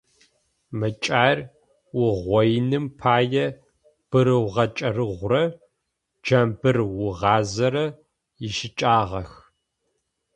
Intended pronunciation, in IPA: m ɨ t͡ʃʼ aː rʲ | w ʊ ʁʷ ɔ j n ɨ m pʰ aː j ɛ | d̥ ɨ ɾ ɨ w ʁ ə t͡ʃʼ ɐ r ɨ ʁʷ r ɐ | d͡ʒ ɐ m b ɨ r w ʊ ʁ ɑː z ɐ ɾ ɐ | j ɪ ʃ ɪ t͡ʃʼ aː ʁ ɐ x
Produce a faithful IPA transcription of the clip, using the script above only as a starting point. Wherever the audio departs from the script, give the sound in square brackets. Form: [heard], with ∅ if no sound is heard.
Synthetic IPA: m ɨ t͡ʃʼ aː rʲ | w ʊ ʁʷ ɔ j n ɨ m pʰ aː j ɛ | [b̥] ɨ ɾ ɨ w ʁ [ɐ] t͡ʃʼ ɐ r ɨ ʁʷ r ɐ | d͡ʒ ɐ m b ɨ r w ʊ ʁ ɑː z ɐ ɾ ɐ | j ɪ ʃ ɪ t͡ʃʼ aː ʁ ɐ x